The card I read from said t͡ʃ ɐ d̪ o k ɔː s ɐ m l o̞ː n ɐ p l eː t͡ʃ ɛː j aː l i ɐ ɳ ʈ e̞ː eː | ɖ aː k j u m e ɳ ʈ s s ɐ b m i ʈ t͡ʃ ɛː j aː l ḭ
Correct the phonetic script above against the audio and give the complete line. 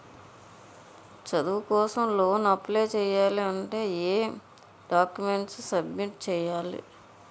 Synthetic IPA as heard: t͡ʃ ɐ d̪ u k ɔː s ɐ m l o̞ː n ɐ p l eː t͡ʃ ɛː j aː l i ɐ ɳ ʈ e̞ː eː | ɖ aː k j u m e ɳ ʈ s s ɐ b m i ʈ t͡ʃ ɛː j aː l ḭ